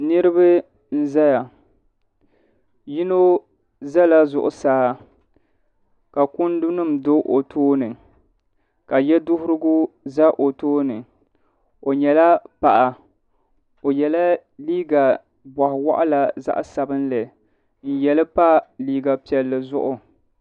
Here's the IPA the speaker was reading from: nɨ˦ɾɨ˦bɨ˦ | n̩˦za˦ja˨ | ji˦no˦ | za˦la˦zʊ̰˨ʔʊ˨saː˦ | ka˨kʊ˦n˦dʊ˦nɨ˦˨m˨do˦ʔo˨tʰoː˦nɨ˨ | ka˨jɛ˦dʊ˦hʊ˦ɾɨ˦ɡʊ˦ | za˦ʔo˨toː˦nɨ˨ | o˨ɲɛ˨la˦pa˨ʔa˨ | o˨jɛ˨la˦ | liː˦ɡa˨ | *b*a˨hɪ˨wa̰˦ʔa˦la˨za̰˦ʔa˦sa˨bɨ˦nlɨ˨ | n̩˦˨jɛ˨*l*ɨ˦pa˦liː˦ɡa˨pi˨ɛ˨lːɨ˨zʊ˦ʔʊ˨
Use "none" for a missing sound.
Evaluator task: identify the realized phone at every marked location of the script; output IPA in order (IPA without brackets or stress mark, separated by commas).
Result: b, l